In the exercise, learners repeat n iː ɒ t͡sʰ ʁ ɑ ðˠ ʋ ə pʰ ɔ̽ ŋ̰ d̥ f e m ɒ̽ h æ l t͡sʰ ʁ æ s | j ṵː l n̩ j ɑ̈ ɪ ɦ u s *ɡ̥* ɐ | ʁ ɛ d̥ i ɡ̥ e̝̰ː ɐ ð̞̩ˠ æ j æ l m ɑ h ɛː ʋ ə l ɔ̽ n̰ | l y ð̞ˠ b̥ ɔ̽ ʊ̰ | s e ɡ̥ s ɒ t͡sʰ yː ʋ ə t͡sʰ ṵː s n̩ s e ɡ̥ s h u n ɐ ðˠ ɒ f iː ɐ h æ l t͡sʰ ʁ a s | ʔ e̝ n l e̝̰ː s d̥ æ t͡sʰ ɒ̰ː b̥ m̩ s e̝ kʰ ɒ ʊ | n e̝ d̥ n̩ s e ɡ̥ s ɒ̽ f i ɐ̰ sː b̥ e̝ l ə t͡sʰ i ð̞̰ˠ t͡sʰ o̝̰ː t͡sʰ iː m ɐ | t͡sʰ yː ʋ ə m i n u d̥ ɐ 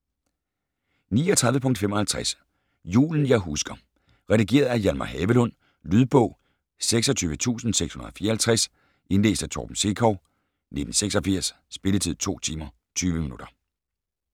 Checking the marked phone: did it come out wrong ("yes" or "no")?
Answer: no